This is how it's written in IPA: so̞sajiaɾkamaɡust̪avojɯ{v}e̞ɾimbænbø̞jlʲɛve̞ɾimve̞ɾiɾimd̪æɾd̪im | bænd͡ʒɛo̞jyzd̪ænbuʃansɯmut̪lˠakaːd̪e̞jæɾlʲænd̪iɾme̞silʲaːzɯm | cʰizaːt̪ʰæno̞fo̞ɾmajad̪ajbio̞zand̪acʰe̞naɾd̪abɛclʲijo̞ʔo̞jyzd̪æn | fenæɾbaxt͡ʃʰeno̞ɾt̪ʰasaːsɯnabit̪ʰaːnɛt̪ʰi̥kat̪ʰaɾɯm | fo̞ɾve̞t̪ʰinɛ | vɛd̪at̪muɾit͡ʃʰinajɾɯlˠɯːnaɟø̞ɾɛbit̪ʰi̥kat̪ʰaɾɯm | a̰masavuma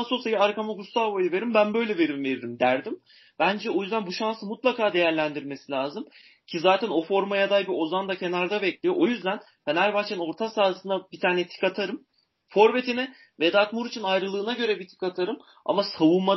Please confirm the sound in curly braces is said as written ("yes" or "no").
yes